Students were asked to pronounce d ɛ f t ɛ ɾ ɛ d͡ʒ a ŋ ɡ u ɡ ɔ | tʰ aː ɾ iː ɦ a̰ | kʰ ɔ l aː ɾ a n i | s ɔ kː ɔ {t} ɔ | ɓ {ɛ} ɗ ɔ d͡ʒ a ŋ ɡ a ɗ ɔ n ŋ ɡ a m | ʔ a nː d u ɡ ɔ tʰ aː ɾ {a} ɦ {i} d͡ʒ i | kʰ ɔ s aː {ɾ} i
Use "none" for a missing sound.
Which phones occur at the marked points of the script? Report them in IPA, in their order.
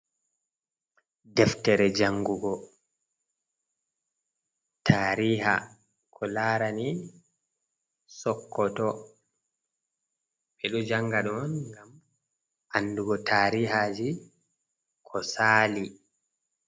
t, ɛ, i, a, l

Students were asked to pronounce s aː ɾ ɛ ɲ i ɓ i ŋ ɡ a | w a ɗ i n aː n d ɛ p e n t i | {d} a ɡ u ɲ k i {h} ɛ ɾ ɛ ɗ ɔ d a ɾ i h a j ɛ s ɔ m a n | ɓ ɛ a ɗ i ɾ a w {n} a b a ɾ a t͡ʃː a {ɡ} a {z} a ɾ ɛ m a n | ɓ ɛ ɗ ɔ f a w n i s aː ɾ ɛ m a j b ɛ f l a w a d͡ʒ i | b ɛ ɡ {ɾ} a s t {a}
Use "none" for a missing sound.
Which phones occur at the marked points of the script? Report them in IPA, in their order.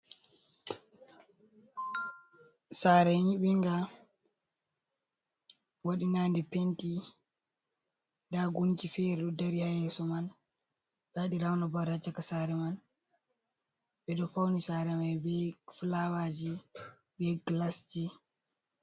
d, f, n, k, s, l, i

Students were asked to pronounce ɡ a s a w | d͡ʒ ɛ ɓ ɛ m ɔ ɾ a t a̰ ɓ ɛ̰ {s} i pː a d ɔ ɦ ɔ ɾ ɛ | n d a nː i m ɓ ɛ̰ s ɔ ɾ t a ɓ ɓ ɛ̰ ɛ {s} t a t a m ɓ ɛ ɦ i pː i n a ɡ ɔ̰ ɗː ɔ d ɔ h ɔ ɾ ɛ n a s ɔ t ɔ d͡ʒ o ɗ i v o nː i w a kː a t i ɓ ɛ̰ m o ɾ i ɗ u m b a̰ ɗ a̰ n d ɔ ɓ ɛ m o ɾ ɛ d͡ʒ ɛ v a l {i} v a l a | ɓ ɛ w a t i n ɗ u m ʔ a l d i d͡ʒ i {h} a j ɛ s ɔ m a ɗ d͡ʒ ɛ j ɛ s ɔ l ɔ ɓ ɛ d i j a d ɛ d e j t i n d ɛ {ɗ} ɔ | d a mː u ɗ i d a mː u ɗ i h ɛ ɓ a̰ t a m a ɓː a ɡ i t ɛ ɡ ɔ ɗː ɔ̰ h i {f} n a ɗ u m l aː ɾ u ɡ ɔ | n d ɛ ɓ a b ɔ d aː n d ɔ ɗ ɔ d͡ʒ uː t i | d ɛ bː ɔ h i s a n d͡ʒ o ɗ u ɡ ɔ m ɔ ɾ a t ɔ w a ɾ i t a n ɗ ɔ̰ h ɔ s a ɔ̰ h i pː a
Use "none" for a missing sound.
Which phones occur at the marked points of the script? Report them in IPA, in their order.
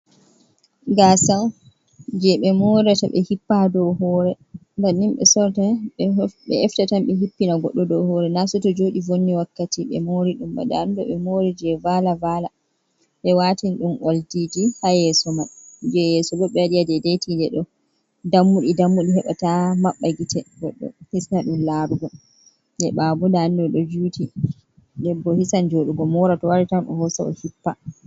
h, f, a, h, ɗ, s

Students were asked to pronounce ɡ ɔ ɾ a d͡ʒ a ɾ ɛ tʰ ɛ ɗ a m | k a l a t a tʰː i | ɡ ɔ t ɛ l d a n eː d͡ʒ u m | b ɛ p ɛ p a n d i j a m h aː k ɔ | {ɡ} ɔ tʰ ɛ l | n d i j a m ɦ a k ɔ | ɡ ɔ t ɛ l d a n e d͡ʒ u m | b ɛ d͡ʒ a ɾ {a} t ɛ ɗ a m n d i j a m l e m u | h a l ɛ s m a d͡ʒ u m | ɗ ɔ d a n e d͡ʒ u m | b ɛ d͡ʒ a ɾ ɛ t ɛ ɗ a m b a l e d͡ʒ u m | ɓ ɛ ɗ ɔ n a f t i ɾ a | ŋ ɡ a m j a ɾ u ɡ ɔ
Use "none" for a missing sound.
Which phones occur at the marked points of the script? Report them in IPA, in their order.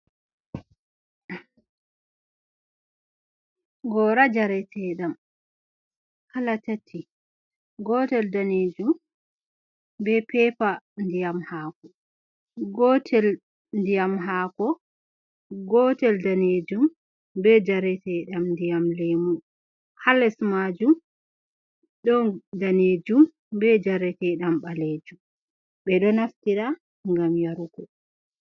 ɡ, ɛ

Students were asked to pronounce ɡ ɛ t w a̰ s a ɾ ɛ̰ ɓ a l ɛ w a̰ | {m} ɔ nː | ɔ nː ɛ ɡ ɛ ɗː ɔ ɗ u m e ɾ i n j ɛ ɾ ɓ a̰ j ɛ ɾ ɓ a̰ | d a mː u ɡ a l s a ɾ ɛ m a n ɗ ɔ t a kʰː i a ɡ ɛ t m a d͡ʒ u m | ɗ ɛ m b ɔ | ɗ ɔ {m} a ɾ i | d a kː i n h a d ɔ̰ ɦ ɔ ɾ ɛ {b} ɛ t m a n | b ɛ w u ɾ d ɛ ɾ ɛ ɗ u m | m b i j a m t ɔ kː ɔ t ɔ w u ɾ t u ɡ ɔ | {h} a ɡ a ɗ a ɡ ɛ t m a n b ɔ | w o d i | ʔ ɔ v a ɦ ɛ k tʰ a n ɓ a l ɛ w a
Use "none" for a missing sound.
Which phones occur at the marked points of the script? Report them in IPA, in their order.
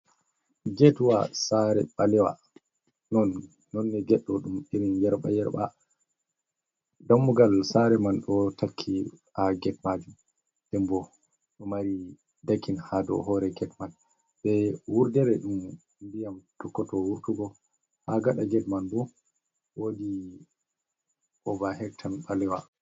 n, m, ɡ, h

